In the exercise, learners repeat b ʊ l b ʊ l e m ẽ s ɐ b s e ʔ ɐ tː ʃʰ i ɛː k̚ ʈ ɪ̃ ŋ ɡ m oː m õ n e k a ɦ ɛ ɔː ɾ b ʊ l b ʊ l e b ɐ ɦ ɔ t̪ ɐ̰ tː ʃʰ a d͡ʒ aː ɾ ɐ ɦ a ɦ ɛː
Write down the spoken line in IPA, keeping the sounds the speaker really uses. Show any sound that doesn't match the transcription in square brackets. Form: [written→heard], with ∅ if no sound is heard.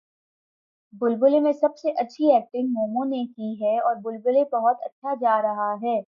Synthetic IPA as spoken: b ʊ l b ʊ l e m ẽ s ɐ b s e ʔ ɐ tː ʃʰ i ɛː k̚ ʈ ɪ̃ ŋ ɡ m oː m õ n e k [a→i] ɦ ɛ ɔː ɾ b ʊ l b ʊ l e b ɐ ɦ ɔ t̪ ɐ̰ tː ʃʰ a d͡ʒ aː ɾ ɐ ɦ a ɦ ɛː